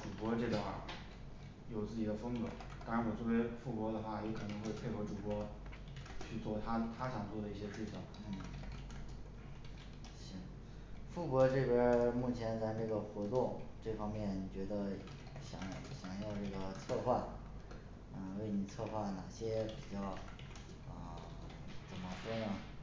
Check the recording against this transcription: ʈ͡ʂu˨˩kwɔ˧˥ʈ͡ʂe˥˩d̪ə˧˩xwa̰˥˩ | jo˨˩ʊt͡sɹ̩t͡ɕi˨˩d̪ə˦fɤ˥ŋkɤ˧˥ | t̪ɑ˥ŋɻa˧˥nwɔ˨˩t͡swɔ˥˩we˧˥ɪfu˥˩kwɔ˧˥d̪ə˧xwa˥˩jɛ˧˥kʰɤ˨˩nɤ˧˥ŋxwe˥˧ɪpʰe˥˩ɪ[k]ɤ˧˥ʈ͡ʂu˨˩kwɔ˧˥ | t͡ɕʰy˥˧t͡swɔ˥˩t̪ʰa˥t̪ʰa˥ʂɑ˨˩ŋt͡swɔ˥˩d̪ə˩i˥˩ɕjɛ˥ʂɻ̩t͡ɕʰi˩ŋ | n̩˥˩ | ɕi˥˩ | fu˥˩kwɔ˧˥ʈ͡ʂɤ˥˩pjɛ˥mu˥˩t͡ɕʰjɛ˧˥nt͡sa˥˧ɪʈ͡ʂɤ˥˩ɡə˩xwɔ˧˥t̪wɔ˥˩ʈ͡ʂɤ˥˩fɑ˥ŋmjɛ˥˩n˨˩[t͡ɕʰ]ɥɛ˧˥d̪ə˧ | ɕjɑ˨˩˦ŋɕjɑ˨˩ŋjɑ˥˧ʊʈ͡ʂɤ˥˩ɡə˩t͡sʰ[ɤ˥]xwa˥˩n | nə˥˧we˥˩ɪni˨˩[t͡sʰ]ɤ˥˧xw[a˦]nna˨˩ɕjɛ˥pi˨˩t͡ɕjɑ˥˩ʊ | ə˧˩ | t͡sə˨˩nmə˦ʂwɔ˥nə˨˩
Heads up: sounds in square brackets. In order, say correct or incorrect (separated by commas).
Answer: incorrect, incorrect, incorrect, correct, incorrect